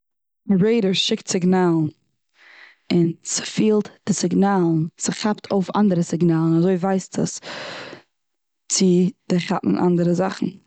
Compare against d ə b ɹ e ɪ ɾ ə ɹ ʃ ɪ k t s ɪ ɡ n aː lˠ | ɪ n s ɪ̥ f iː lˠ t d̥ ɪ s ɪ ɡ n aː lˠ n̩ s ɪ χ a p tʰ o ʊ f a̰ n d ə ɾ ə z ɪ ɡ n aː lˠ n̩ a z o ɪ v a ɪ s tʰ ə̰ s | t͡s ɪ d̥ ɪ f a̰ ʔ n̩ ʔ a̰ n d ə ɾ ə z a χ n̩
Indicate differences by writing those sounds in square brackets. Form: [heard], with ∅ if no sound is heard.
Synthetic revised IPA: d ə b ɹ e ɪ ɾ ə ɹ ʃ ɪ k t s ɪ ɡ n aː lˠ | ɪ n s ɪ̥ f iː lˠ t d̥ ɪ s ɪ ɡ n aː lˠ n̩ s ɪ χ a p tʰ o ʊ f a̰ n d ə ɾ ə [s] ɪ ɡ n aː lˠ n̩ a z o ɪ v a ɪ s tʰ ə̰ s | t͡s ɪ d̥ ɪ [χ] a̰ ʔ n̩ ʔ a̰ n d ə ɾ ə z a χ n̩